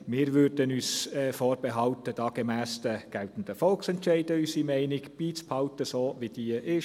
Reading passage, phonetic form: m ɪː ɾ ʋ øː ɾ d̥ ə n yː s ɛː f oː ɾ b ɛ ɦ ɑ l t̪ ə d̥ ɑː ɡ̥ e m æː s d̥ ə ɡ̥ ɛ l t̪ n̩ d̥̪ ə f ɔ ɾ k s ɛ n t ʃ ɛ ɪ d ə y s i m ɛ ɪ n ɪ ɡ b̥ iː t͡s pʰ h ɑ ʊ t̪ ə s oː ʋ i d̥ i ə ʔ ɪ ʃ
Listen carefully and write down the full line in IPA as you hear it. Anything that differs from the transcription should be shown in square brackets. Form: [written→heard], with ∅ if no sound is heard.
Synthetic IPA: m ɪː ɾ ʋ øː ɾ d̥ ə n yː s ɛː f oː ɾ b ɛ ɦ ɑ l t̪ ə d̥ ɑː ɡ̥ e m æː s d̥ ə ɡ̥ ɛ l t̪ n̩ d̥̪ ə f ɔ [ɾ→l] k s ɛ n t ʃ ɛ ɪ d ə y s i m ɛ ɪ n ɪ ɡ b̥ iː t͡s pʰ h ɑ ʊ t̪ ə s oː ʋ i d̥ i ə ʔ ɪ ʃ